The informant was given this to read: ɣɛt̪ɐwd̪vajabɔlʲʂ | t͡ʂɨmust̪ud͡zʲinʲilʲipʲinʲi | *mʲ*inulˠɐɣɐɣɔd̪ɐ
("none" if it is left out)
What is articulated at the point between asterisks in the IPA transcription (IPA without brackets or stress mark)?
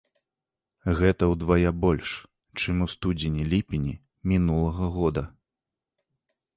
mʲ